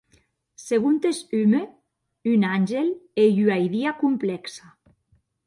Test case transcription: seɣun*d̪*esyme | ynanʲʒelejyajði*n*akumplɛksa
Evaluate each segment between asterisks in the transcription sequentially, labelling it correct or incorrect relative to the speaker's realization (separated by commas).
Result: incorrect, incorrect